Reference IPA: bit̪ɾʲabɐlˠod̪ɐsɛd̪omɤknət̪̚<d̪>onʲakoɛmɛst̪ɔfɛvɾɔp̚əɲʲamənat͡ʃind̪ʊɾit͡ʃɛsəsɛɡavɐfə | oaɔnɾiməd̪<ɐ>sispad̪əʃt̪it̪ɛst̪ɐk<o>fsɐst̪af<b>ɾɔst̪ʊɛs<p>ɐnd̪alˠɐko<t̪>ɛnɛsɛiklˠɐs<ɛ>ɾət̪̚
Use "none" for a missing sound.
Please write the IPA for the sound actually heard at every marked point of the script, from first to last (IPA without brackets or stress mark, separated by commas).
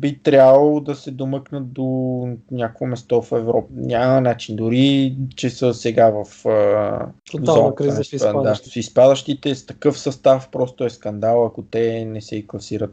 d̪, a, ɤ, p, k, t̪, i